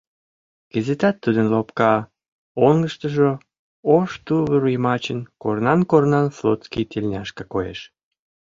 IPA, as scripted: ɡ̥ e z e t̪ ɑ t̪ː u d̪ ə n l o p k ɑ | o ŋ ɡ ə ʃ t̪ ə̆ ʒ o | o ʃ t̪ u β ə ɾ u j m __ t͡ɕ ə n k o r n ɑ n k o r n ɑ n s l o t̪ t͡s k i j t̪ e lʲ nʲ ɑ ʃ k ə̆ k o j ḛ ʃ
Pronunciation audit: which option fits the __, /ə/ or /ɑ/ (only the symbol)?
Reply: ɑ